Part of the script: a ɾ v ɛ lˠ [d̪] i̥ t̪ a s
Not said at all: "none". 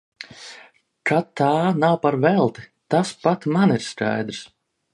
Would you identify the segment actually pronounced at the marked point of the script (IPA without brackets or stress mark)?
t̪